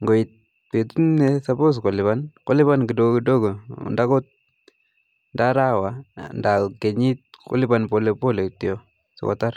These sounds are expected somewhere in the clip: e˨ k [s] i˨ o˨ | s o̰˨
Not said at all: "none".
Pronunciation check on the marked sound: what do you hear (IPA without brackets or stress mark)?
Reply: t